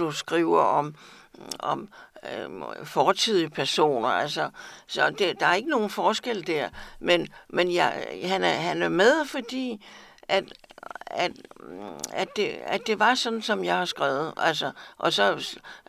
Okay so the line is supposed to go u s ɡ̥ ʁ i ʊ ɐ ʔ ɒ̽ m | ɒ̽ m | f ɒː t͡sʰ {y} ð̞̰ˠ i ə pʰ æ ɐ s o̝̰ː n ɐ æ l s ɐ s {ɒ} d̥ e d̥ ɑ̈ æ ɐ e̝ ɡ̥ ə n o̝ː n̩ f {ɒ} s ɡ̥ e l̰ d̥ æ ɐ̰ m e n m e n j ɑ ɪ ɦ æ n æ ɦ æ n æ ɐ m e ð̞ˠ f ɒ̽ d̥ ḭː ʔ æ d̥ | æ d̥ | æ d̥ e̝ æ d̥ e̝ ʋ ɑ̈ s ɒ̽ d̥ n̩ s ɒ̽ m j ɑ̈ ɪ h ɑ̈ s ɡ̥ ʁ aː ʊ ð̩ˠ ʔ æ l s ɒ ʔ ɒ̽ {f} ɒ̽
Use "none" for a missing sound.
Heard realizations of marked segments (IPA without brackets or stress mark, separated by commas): i, ɒ, ɒː, s